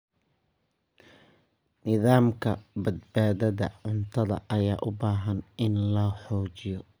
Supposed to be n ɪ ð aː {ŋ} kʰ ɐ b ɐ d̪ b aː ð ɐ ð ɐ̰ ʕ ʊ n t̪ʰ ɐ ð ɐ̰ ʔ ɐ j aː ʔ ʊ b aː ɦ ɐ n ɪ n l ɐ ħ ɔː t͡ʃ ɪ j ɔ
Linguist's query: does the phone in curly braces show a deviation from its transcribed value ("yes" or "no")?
yes